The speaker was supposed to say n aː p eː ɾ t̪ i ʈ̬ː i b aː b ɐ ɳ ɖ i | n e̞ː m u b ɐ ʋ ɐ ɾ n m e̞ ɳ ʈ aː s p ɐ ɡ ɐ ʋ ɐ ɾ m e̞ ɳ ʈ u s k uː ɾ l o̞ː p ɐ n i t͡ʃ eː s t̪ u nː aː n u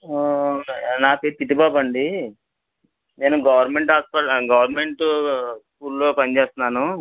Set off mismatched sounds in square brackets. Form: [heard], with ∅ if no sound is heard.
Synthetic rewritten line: n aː p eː ɾ t̪ i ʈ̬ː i b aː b ɐ ɳ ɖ i | n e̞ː [n] u [ɡ] ɐ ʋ ɐ ɾ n m e̞ ɳ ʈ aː s p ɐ ɡ ɐ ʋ ɐ ɾ m e̞ ɳ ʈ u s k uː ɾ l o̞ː p ɐ n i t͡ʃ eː s t̪ u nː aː n u